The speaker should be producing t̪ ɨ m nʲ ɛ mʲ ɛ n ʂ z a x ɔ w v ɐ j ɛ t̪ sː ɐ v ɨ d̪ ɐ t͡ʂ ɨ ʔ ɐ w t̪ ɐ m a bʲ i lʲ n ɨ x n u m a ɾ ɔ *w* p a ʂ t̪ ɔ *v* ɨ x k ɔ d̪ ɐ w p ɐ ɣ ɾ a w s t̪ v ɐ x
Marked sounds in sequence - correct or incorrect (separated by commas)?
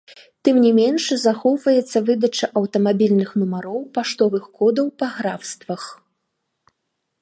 correct, correct